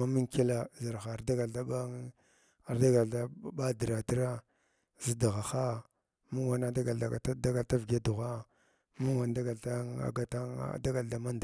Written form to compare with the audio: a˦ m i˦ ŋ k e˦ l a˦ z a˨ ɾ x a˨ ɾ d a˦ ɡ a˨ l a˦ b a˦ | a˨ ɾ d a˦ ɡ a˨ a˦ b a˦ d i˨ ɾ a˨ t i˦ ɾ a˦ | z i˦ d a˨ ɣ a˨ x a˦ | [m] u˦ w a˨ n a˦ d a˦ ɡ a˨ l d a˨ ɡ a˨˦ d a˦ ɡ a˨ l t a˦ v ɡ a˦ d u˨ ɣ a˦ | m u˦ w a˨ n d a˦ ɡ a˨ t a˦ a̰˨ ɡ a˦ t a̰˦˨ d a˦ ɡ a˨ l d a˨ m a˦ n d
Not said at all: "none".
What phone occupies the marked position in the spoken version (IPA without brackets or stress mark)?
m